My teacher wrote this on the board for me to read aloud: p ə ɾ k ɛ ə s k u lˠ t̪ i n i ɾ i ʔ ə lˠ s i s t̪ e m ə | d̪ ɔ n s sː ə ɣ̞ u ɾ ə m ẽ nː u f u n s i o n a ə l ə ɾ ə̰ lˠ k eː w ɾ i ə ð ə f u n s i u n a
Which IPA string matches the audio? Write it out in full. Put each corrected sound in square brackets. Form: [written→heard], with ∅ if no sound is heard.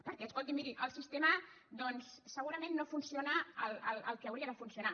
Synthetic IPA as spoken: p ə ɾ k ɛ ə s k [u→o] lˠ t̪ i [n→m] i ɾ i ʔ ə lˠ s i s t̪ e m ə | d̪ ɔ n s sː ə ɣ̞ u ɾ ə m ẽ nː [u→o] f u n s i o n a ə l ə [ɾ→l] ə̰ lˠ k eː w ɾ i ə ð ə f u n s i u n a